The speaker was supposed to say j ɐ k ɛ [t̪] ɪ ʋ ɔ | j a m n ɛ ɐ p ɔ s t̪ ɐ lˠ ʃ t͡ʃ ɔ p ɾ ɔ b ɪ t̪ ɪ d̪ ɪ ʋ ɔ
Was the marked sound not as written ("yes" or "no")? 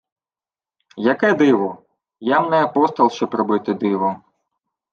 yes